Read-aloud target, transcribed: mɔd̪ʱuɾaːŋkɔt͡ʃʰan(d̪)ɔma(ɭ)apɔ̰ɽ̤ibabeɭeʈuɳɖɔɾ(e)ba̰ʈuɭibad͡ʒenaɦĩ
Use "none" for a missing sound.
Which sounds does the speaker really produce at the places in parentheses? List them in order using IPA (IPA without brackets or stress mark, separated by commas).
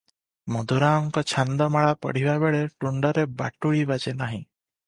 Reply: d̪, ɭ, e